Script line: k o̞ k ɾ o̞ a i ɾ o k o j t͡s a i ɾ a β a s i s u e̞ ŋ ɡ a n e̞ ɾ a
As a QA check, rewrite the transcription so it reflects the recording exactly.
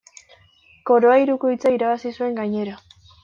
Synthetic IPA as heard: k o̞ ɾ o̞ a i ɾ u k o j t͡s a i ɾ a β a s i s u e̞ ŋ ɡ a ɲ e̞ ɾ a